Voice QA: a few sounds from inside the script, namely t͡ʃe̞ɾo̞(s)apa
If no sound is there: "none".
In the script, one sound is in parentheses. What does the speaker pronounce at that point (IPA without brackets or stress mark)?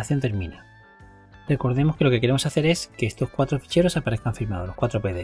s